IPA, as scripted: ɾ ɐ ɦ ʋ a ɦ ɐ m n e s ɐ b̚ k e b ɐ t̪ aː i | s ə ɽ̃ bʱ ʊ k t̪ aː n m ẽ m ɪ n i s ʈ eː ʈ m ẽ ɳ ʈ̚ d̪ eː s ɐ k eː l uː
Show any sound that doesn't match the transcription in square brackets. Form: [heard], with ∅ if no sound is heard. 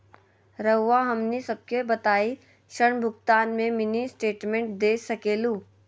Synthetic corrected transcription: ɾ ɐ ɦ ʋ a ɦ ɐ m n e s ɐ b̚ k e b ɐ t̪ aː i | [ʃ] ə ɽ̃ bʱ ʊ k t̪ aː n m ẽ m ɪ n i s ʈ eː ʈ m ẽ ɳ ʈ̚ d̪ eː s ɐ k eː l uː